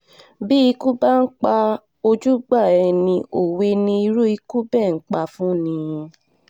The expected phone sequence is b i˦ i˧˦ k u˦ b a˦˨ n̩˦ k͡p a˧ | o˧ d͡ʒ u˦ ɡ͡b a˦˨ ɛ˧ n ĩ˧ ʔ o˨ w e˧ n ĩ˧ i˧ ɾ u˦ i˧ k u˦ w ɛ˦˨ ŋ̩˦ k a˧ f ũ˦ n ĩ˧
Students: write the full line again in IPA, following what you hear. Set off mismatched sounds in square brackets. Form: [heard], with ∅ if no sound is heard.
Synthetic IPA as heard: b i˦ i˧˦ k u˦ b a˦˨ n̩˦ k͡p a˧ | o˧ d͡ʒ u˦ ɡ͡b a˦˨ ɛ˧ n ĩ˧ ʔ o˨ w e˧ n ĩ˧ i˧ ɾ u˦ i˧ k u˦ [b] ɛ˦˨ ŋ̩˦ [k͡p] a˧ f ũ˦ n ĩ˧